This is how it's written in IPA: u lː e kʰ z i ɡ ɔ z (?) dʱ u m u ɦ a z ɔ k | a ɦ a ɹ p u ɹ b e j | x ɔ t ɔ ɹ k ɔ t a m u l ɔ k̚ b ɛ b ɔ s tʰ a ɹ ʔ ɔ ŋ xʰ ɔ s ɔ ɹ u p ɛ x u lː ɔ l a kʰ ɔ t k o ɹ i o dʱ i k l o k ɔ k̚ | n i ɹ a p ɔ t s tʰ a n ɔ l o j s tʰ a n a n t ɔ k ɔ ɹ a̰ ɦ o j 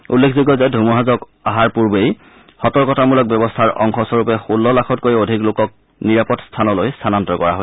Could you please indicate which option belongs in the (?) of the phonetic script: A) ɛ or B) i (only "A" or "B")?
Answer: A